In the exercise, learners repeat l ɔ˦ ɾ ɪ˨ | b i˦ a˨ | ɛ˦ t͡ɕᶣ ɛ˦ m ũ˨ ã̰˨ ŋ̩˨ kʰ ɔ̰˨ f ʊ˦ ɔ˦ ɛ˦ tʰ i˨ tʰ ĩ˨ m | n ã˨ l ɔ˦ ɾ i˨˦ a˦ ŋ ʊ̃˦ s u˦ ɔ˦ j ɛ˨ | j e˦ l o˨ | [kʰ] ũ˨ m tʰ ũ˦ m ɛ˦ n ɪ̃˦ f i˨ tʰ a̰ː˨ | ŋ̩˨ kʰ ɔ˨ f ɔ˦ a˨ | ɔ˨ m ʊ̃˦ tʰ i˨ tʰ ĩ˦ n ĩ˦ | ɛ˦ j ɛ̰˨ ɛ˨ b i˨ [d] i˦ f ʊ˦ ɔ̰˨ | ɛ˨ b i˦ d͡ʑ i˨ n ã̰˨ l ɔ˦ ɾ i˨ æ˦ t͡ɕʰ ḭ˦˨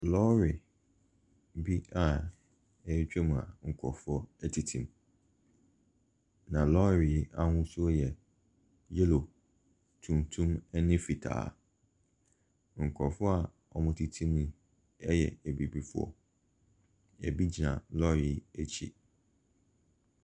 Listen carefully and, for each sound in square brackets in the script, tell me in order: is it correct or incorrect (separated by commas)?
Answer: incorrect, incorrect